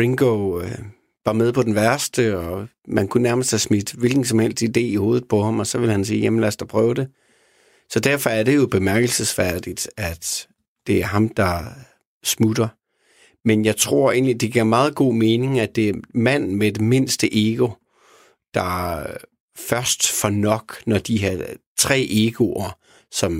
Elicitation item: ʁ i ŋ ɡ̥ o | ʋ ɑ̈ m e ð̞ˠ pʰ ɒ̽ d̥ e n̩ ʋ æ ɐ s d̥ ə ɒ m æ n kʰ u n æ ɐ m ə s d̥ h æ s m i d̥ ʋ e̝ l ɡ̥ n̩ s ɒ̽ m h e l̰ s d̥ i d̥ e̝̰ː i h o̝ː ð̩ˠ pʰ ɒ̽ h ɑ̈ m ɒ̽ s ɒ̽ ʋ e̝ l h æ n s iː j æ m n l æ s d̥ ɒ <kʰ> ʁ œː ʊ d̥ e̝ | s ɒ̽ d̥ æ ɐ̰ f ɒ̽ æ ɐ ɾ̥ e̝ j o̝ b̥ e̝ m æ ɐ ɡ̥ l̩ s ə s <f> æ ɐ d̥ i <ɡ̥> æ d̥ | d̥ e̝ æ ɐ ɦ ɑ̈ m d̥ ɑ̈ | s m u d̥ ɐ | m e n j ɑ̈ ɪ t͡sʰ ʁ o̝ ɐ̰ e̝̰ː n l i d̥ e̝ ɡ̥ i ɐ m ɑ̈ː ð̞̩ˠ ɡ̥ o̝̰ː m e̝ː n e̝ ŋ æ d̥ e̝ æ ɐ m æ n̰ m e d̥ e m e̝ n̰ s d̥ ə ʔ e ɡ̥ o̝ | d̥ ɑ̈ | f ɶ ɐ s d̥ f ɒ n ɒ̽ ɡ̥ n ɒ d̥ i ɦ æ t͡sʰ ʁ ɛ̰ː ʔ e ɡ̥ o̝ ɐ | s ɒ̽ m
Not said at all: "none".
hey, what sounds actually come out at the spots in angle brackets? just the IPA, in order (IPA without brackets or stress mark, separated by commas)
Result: pʰ, f, d̥